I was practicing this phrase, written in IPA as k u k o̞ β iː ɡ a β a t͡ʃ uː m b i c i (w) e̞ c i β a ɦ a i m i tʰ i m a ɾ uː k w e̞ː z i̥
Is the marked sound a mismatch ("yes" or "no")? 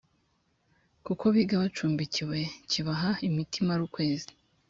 no